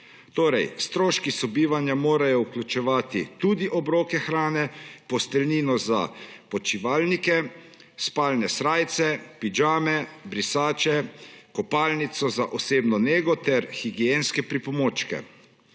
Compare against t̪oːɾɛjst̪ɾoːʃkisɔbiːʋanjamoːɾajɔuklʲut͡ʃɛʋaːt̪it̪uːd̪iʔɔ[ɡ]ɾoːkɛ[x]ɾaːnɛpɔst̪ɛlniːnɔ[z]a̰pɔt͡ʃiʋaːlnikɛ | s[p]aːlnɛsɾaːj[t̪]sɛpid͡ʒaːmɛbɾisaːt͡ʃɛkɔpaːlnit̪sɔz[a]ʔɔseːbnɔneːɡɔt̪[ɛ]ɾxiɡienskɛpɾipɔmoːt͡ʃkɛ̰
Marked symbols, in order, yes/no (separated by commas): no, yes, yes, yes, yes, yes, yes